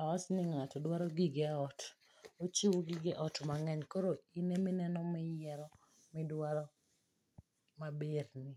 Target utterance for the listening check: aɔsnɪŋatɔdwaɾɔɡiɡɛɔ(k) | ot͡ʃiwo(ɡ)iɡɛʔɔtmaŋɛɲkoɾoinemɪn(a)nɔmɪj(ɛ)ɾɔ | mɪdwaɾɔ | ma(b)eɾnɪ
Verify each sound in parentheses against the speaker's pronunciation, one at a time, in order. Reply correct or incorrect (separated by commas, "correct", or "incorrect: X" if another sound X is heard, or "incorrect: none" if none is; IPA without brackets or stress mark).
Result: incorrect: t, correct, incorrect: ɛ, correct, correct